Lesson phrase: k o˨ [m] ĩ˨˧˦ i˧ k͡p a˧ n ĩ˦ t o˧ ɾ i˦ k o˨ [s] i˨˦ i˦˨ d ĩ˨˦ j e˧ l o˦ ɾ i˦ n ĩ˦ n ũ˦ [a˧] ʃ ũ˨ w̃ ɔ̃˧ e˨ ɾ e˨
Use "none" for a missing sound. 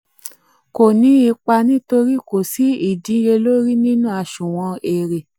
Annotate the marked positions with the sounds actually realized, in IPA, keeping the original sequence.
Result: n, s, a˧

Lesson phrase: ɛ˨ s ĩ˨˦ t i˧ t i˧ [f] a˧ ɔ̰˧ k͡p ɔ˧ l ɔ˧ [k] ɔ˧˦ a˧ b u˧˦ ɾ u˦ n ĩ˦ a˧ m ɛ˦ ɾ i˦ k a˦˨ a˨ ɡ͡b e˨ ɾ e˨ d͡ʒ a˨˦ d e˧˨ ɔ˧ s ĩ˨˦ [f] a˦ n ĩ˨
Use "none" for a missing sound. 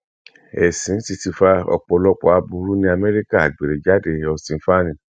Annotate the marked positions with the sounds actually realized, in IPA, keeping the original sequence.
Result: f, k͡p, f

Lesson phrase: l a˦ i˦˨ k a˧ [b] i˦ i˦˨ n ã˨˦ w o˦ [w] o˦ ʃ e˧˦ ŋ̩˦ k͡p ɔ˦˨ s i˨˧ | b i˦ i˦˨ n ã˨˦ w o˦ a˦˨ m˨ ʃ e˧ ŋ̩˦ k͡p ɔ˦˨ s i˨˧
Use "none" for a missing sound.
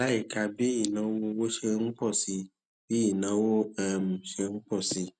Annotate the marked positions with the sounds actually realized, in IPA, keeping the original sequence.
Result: b, w

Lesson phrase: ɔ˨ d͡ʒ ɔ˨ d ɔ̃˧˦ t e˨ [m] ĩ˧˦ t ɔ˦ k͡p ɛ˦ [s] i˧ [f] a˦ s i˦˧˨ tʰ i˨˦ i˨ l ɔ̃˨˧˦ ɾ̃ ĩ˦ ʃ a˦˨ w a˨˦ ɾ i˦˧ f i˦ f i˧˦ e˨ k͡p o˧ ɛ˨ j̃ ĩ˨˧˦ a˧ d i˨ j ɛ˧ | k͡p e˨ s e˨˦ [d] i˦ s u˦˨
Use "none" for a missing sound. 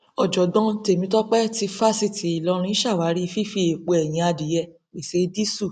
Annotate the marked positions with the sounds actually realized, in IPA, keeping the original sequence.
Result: m, t, f, d

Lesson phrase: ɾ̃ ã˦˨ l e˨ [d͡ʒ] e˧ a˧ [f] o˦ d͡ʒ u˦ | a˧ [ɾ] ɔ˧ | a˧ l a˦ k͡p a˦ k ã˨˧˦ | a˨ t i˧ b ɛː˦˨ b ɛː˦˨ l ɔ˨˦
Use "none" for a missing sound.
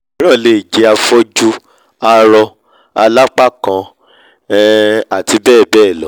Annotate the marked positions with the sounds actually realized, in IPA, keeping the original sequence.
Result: d͡ʒ, f, ɾ

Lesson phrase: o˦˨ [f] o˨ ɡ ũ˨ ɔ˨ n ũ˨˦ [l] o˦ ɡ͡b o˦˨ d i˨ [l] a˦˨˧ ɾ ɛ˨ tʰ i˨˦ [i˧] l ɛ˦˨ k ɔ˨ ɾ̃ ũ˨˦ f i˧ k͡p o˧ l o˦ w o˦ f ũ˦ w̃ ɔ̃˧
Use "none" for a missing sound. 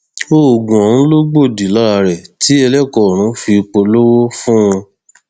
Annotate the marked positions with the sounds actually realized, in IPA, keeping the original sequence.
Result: none, l, l, ɛ˧

